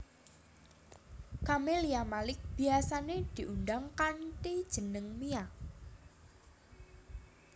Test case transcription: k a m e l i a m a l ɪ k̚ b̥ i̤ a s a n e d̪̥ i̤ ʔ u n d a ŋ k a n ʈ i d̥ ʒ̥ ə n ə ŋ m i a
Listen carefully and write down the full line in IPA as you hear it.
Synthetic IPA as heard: k a m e l i a m a l ɪ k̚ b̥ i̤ a s a n e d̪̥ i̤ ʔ u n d a ŋ k a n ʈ i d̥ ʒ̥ ə n ə ŋ m i a